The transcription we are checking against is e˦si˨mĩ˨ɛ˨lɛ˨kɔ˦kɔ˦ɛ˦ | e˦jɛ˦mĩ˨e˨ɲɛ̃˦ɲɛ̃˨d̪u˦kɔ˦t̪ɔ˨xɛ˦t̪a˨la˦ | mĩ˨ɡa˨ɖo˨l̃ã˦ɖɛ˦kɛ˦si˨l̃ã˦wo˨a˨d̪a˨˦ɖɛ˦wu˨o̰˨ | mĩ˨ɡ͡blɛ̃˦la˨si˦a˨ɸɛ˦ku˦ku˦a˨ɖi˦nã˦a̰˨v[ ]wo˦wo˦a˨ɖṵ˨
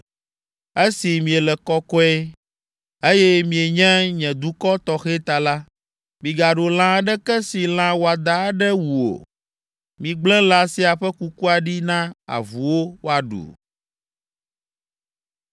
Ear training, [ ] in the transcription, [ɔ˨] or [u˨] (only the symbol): u˨